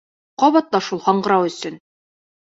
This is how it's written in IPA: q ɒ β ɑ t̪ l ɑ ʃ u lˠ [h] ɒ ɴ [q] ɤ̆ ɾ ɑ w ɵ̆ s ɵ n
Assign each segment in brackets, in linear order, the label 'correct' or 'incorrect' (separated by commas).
correct, incorrect